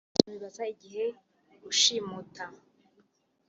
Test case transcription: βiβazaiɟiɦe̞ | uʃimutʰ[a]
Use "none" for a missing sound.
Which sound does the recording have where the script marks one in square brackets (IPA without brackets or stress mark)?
a